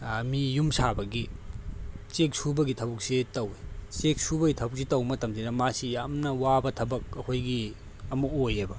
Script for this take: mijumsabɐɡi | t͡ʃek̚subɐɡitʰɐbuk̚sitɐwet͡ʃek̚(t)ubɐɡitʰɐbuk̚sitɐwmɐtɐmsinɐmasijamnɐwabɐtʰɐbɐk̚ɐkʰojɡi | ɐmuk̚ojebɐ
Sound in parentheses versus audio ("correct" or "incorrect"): incorrect